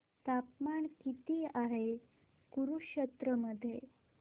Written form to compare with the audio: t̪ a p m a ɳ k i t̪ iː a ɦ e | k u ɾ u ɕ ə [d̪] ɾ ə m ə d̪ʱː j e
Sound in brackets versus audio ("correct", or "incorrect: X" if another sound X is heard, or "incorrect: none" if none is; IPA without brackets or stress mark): incorrect: t̪